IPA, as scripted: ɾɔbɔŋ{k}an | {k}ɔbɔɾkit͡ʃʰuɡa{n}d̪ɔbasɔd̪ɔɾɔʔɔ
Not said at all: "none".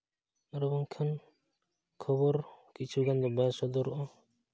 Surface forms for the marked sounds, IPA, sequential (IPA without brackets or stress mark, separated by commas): kʰ, kʰ, n